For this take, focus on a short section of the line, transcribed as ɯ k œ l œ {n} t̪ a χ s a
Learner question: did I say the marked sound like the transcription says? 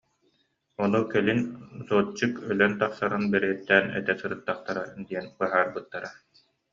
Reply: yes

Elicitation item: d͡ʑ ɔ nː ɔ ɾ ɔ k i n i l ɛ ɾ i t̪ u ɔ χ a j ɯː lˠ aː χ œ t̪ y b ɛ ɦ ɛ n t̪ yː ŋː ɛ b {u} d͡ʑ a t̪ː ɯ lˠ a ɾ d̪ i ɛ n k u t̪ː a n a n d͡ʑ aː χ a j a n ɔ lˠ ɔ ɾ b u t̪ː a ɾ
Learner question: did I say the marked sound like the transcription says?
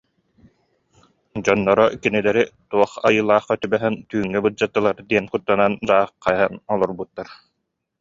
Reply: no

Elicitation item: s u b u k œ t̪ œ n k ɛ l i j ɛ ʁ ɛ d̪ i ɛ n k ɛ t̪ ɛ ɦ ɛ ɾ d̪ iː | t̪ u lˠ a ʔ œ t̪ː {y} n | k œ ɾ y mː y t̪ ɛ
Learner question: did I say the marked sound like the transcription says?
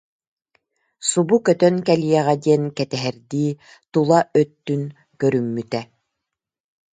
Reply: yes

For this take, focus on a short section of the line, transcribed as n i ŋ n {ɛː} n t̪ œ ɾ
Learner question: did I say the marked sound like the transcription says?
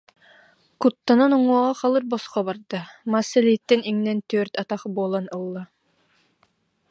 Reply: no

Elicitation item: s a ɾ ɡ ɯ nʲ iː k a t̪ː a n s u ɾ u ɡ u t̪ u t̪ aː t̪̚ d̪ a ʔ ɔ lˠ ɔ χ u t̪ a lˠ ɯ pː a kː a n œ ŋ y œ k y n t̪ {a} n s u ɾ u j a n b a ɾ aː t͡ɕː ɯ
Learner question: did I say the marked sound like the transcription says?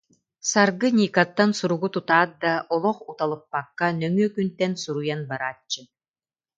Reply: no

